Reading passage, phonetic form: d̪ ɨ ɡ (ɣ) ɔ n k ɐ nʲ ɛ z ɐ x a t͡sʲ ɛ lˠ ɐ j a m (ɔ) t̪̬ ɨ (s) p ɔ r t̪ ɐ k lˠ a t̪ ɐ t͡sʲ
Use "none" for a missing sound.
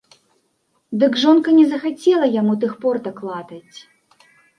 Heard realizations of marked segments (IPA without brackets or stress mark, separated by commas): ʐ, u, x